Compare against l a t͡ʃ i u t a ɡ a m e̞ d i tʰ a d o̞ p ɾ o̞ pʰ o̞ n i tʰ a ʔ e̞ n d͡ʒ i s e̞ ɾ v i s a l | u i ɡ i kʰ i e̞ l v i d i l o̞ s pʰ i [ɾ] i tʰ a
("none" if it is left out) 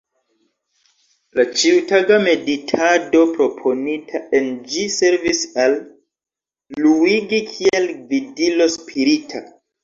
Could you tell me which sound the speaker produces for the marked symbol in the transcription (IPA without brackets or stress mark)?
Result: ɾ